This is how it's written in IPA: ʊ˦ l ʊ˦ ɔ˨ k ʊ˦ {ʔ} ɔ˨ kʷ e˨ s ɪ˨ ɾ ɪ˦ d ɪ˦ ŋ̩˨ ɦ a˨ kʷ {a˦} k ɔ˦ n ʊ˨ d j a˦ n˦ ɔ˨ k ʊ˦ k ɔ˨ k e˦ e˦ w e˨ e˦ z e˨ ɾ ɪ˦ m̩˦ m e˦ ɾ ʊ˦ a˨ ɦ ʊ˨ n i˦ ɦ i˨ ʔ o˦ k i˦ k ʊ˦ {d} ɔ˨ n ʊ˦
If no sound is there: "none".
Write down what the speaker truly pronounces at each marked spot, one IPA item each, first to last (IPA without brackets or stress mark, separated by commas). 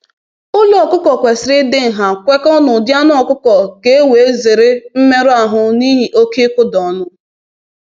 k, e˦, d